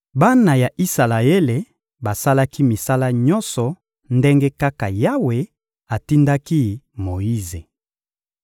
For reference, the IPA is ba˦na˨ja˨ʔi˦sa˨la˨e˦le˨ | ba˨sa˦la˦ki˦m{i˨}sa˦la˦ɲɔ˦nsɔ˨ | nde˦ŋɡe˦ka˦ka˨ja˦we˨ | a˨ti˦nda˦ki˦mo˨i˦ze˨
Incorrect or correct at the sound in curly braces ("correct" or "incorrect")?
correct